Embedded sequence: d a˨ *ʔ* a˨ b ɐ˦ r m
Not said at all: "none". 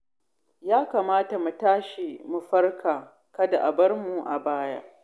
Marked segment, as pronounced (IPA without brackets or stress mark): ʔ